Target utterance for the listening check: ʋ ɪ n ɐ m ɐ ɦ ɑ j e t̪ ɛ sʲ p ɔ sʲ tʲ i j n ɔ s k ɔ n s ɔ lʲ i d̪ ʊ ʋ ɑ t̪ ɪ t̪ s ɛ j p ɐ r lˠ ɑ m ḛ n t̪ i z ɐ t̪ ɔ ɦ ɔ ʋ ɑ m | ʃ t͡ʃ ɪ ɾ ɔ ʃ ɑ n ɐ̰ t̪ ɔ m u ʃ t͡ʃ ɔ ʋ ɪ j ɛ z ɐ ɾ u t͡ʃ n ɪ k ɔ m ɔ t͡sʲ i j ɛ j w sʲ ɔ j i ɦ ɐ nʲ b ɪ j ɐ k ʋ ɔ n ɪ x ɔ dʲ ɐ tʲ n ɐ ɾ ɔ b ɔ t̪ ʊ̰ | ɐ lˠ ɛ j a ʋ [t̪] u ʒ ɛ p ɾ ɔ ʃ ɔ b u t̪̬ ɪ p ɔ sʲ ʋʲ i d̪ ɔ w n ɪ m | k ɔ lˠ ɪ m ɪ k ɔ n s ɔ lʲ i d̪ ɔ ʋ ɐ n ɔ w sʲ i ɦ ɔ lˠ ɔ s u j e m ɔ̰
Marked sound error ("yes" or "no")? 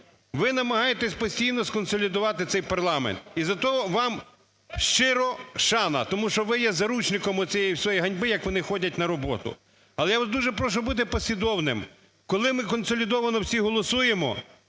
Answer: yes